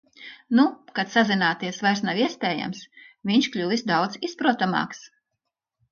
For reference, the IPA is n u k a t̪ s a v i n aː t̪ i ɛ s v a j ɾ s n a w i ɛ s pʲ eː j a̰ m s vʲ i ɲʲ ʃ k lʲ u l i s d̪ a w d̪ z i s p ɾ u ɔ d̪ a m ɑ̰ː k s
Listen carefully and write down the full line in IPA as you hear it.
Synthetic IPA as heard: n u k a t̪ s a z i n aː t̪ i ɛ s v a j ɾ s n a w i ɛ s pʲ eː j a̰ m s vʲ i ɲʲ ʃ k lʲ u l i s d̪ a w d̪ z i s p ɾ u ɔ t̪ a m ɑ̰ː k s